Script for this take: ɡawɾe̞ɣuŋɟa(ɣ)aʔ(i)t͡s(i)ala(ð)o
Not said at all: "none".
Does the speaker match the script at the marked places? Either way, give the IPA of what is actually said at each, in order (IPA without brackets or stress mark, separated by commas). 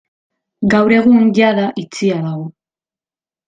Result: ð, i, i, ɣ